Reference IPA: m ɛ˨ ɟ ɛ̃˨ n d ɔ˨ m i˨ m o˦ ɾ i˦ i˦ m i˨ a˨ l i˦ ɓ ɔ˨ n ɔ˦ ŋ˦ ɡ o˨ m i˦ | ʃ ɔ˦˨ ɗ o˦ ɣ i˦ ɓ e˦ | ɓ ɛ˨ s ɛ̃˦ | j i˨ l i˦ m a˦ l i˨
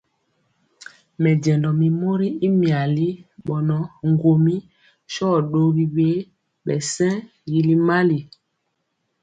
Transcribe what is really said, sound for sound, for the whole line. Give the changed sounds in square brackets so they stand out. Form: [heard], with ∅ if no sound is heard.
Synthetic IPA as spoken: m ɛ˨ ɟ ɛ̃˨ n d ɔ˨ m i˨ m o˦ ɾ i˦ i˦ m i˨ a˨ l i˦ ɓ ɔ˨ n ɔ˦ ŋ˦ ɡ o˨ m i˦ | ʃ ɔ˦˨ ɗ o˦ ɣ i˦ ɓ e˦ | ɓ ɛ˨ s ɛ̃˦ | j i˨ l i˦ m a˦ l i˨

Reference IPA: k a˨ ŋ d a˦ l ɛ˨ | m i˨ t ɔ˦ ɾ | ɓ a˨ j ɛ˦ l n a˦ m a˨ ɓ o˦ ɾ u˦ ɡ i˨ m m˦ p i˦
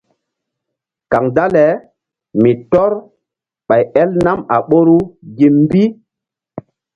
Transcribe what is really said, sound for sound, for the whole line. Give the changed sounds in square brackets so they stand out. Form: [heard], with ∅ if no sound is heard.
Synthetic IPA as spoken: k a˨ ŋ d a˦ l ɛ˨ | m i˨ t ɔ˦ ɾ | ɓ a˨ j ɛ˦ l n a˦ m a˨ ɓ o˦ ɾ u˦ ɡ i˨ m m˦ [b] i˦

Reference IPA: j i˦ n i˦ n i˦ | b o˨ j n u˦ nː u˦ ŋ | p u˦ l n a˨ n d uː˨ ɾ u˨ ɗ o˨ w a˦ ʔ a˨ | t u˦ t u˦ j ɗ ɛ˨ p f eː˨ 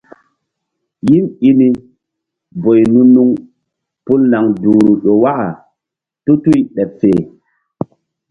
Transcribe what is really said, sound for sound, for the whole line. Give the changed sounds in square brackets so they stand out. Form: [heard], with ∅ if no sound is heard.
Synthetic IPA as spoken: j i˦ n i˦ n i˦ | b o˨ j n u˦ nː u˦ ŋ | p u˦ l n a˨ [ŋ] d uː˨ ɾ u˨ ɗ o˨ w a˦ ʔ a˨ | t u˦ t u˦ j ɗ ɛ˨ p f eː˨

